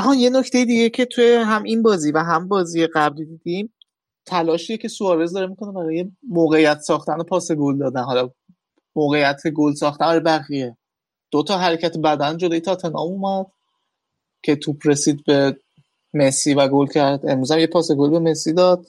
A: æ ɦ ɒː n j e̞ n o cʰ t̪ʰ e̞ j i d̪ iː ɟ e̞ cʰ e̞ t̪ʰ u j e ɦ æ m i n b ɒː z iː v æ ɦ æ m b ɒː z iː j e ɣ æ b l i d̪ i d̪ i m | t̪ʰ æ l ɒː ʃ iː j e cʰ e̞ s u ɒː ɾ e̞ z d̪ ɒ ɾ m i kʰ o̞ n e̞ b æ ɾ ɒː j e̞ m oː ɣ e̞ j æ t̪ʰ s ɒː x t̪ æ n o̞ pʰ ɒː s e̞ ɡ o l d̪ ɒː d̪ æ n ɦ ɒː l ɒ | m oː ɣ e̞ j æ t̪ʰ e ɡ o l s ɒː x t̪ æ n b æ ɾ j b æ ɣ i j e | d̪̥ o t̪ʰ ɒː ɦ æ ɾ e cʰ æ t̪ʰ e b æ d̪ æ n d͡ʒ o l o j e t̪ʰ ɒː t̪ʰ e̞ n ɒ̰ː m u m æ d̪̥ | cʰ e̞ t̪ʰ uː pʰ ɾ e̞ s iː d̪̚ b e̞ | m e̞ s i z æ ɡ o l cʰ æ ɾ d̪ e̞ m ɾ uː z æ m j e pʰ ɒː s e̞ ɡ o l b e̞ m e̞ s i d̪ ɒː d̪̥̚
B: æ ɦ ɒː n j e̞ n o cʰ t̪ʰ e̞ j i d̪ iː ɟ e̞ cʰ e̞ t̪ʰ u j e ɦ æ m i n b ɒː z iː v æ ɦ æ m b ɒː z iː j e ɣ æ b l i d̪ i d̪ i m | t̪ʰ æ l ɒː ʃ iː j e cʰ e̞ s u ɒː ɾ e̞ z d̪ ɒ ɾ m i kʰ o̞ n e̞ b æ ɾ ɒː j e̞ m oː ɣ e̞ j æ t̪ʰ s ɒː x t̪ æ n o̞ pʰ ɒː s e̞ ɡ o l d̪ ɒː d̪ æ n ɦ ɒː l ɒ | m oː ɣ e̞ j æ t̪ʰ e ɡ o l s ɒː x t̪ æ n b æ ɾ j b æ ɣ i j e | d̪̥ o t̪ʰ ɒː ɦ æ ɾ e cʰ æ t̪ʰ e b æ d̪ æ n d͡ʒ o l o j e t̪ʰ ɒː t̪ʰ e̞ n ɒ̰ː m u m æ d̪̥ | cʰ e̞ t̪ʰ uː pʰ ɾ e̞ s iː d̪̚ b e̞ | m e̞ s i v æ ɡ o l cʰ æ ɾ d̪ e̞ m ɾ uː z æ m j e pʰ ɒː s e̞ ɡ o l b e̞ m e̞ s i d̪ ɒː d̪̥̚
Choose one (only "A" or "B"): B